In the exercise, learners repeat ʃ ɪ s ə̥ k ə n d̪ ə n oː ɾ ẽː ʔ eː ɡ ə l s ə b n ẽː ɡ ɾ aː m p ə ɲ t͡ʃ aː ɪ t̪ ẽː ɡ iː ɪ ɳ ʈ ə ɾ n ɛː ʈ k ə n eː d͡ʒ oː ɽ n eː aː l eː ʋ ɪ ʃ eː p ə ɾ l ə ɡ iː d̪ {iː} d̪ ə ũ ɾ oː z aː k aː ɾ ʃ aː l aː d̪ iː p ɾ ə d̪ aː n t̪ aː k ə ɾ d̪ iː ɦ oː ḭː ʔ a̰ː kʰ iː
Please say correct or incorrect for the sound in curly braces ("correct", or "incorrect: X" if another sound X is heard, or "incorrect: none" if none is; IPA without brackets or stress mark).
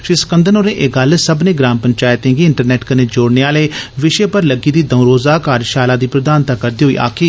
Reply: correct